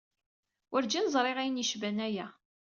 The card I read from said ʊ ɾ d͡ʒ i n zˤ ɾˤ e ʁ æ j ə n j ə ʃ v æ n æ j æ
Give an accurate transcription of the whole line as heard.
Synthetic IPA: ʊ ɾ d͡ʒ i n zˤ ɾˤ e ʁ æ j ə n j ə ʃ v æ n æ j æ